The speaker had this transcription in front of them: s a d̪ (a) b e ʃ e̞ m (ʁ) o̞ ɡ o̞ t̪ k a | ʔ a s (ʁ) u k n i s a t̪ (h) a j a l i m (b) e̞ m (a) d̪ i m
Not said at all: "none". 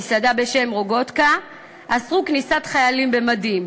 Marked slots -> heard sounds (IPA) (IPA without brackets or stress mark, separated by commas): a, ʁ, ʁ, χ, b, a